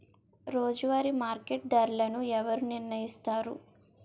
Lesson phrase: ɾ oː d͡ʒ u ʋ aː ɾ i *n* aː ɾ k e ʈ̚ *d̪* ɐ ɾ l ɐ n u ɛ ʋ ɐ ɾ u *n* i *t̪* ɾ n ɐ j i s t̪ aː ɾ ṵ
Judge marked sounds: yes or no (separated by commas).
no, yes, yes, no